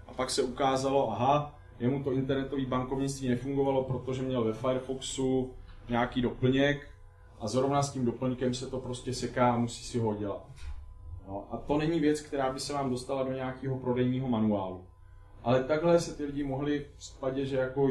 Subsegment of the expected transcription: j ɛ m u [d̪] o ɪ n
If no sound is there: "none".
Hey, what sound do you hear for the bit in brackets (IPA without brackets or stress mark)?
t̪